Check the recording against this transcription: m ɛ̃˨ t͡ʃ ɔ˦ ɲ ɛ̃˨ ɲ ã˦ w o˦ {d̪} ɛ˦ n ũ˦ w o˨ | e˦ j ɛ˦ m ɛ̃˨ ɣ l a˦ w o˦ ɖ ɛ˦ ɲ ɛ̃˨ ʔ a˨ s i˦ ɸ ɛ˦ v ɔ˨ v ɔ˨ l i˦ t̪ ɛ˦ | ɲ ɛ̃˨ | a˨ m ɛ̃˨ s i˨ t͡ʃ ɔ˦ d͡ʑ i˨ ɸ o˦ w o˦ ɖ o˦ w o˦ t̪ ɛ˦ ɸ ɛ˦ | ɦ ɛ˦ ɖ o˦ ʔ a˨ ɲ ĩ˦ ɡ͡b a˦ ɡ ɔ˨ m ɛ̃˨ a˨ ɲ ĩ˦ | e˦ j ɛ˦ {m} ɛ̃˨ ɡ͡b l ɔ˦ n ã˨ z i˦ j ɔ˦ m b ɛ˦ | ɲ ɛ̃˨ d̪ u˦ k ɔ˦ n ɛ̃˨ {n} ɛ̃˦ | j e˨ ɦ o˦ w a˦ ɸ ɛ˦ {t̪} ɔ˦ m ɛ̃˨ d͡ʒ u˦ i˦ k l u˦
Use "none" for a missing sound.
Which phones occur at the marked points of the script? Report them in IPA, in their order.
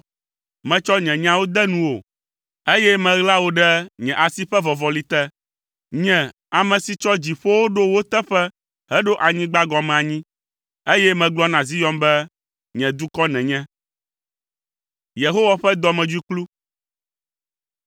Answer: d̪, m, ɲ, d̪

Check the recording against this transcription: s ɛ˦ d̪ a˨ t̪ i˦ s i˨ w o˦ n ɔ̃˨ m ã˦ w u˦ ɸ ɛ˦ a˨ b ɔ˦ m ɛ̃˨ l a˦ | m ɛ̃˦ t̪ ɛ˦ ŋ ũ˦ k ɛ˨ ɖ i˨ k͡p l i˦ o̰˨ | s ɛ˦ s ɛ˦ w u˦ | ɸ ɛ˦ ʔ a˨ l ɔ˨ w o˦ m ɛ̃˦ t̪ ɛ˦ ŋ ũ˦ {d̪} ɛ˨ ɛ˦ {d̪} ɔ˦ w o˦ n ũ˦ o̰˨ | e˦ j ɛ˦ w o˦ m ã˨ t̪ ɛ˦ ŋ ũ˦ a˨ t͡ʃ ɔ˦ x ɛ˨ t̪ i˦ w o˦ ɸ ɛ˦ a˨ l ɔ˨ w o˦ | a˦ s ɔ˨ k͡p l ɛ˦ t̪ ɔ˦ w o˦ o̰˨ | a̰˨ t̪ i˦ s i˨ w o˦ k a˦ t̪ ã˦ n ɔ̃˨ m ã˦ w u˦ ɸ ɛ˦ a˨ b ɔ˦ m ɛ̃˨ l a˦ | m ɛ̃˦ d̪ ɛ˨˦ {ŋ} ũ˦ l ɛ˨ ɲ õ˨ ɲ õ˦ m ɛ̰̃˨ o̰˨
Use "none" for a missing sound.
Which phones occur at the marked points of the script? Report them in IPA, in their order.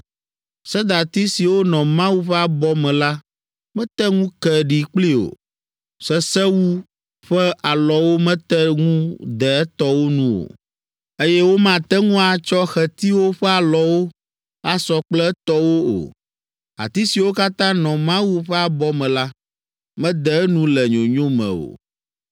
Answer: d̪, t̪, n

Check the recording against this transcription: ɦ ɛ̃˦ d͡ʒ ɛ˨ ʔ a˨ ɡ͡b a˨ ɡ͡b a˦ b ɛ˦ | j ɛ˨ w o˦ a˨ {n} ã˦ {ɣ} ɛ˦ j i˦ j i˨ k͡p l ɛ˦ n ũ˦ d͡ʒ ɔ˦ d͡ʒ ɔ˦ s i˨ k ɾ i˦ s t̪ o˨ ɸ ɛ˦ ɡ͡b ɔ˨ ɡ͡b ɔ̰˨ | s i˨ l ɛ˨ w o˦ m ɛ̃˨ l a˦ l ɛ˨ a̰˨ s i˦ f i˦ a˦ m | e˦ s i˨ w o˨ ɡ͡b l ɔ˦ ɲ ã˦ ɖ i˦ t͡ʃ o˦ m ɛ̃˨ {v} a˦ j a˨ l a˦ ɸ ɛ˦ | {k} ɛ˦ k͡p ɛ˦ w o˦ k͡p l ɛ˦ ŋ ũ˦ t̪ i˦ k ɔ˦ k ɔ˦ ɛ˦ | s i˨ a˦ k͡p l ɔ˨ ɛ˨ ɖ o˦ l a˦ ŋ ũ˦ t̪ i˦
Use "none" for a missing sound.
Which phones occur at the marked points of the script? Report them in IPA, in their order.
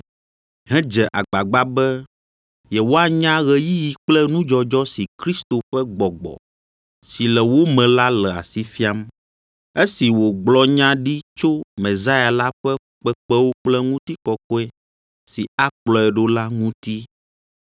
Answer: ɲ, ɣ, z, k͡p

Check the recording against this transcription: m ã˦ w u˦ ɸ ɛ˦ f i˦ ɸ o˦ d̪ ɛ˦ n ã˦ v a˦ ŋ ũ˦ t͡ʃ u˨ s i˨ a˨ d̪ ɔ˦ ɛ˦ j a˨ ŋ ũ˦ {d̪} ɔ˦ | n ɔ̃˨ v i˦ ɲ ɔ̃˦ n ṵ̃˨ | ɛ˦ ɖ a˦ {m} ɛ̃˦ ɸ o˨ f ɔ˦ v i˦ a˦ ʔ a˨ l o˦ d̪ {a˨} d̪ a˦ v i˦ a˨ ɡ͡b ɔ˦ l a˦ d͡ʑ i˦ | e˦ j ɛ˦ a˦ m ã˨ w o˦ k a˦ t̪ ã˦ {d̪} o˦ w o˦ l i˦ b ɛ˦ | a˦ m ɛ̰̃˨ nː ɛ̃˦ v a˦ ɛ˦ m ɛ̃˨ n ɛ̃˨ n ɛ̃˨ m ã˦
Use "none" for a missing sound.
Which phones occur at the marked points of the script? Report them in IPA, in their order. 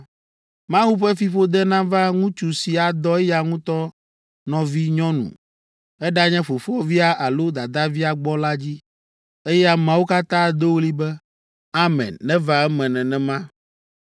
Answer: t̪, ɲ, a˨, d̪

